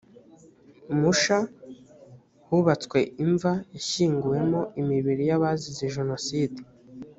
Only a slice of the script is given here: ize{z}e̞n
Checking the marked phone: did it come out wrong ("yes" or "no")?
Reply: yes